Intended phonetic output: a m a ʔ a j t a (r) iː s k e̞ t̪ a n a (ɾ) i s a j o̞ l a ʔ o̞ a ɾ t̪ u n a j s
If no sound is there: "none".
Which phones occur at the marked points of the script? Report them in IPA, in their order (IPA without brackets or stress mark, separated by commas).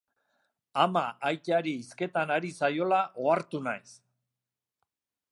ɾ, ɾ